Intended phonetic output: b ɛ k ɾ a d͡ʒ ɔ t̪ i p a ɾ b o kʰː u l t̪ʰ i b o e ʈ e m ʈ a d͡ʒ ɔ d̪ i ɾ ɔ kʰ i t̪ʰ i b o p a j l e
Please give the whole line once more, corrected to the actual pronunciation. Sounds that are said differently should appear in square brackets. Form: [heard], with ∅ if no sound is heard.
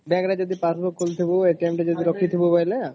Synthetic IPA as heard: b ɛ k ɾ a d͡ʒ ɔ [d̪] i p a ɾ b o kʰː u l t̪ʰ i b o e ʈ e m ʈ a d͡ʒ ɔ d̪ i ɾ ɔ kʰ i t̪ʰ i b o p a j l e

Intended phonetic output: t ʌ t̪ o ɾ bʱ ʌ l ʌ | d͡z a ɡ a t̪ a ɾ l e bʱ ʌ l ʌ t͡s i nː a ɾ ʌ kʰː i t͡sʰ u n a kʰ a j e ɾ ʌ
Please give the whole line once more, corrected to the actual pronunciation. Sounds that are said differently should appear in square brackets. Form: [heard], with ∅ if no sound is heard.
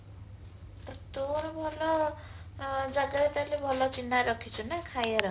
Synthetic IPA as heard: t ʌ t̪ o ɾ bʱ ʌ l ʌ | d͡z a ɡ a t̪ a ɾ l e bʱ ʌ l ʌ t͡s i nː a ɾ ʌ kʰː i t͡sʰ u n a kʰ a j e ɾ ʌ

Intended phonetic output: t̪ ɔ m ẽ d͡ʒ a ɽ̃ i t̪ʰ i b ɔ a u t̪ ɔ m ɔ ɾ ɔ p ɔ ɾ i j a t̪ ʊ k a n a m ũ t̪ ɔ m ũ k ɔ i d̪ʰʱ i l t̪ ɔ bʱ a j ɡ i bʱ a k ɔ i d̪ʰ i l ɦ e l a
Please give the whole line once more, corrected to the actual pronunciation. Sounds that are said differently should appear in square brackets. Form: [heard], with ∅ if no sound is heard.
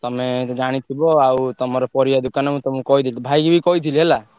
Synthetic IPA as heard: t̪ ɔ m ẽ d͡ʒ a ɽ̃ i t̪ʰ i b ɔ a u t̪ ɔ m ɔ ɾ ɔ p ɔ ɾ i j a [d̪] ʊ k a n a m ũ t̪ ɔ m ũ k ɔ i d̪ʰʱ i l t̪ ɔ bʱ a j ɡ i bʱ [i] k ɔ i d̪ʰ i l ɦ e l a

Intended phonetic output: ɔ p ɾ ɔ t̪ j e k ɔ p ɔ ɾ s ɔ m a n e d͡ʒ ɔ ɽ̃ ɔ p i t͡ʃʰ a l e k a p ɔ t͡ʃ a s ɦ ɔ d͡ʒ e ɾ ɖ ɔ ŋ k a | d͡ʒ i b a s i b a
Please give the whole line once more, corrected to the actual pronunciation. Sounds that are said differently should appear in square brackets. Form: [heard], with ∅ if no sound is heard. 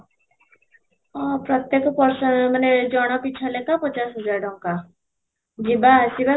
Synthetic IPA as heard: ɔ p ɾ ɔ t̪ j e k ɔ p ɔ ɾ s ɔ m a n e d͡ʒ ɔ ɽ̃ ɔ p i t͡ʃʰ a l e k a p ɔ t͡ʃ a s ɦ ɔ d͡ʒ [a] ɾ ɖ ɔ ŋ k a | d͡ʒ i b a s i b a

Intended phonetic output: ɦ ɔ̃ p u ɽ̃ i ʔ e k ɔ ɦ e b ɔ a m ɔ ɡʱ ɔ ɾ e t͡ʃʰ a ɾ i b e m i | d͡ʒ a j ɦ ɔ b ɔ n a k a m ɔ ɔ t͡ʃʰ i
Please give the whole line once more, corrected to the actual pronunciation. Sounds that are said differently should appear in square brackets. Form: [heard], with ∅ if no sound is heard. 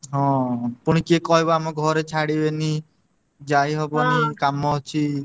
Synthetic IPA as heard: ɦ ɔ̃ p u ɽ̃ i [k] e k ɔ ɦ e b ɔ a m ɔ ɡʱ ɔ ɾ e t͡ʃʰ a [ɽ] i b e [n] i | d͡ʒ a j ɦ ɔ b ɔ n [i] k a m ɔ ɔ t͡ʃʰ i

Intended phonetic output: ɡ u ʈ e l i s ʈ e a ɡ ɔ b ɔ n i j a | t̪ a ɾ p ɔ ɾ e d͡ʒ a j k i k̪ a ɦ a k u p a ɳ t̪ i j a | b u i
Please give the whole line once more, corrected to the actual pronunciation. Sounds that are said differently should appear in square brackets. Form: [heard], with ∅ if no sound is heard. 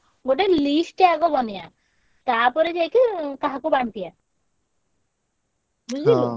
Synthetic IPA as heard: ɡ [o] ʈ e l i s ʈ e a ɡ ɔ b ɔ n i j a | t̪ a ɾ p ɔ ɾ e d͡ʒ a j k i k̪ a ɦ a k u [b] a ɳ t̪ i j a | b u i

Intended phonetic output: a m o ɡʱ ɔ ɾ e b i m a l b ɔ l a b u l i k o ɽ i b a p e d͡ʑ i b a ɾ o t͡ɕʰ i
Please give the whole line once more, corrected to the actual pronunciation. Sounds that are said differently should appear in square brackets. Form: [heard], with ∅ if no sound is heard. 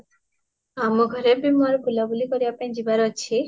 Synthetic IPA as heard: a m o ɡʱ ɔ ɾ e b i m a [ɾ] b [u] l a b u l i k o [ɾ] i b a p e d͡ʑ i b a ɾ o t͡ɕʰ i

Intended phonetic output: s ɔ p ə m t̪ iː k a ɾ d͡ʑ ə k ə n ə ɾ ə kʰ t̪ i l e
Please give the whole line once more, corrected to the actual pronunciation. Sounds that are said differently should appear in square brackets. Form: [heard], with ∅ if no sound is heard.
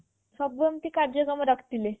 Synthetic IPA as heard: s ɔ [b] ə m t̪ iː k a ɾ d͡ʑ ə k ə [m] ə ɾ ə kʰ t̪ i l e

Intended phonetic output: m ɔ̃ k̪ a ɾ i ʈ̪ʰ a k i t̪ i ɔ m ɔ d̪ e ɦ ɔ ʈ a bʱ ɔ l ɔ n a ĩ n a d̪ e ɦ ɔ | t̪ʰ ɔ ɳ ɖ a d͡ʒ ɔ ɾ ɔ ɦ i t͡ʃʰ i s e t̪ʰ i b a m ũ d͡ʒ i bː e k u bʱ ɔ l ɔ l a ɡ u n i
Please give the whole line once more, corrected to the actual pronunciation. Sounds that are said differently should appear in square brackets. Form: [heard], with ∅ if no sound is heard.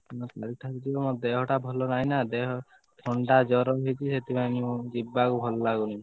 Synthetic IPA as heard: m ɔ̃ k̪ a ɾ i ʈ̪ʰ a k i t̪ i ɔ m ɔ d̪ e ɦ ɔ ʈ a bʱ ɔ l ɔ n a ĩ n a d̪ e ɦ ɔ | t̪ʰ ɔ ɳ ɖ a d͡ʒ ɔ ɾ ɔ ɦ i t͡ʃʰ i s e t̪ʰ i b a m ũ d͡ʒ i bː [a] k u bʱ ɔ l ɔ l a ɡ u n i

